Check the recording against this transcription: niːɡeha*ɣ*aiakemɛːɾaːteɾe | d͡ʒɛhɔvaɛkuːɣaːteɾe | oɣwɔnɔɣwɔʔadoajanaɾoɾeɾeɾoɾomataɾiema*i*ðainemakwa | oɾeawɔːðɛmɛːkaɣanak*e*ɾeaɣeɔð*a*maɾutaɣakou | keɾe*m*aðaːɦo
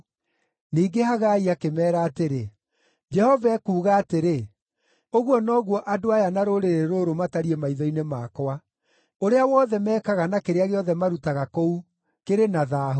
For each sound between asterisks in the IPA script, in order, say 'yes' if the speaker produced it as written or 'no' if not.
yes, yes, yes, no, no

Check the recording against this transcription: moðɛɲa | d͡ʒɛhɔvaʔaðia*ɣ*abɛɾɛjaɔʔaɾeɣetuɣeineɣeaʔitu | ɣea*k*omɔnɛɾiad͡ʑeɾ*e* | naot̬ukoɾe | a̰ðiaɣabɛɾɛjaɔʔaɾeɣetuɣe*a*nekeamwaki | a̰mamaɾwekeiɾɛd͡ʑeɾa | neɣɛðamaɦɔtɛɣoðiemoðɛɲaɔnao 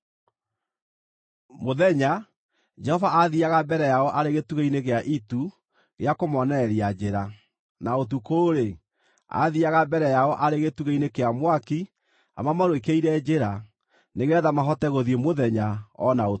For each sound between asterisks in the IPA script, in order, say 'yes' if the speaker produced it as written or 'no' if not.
yes, yes, no, no

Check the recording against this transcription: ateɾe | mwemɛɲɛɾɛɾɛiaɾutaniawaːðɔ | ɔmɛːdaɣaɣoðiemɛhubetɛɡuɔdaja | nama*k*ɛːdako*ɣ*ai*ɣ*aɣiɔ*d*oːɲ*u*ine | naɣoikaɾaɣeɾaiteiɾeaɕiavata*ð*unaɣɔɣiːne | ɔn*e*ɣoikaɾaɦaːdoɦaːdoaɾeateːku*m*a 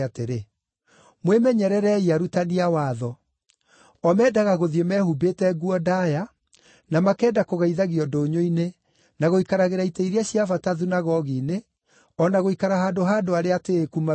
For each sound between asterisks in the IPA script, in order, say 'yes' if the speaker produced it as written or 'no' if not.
yes, yes, no, yes, no, yes, no, yes

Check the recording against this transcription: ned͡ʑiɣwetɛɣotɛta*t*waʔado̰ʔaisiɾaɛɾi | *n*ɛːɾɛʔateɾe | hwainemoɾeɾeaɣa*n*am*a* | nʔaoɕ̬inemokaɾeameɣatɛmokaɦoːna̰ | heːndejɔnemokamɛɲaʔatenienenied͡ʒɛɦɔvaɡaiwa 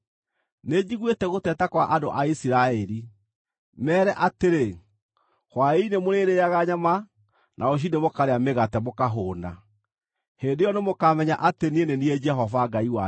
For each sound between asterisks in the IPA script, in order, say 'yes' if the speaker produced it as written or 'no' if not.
no, no, no, yes

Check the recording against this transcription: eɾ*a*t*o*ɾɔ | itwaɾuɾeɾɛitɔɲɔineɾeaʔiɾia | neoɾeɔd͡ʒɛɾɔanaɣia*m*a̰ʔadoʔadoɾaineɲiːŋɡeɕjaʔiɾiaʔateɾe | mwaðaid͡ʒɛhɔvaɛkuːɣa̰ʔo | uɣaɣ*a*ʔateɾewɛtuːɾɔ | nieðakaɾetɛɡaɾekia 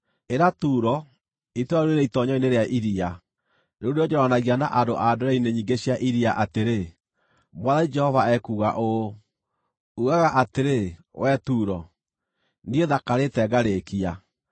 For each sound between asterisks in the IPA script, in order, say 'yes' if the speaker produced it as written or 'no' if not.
yes, no, no, yes

